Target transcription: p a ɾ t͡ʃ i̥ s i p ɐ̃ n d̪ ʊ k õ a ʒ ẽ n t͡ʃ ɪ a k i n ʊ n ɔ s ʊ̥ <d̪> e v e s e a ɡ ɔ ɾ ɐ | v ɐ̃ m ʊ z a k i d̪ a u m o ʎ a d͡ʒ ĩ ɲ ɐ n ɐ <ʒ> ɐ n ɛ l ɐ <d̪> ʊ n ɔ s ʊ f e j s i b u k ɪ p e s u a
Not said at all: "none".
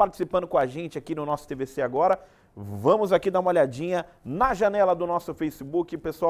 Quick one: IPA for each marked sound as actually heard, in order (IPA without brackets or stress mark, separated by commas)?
t̪, ʒ, d̪